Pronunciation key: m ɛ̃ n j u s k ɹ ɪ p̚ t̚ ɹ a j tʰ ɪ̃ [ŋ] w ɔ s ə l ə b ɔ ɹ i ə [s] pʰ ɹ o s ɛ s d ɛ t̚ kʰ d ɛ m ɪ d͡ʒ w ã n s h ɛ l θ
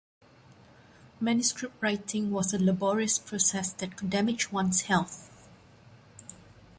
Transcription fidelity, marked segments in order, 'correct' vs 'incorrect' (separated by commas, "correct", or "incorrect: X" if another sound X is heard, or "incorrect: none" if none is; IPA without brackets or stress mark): correct, correct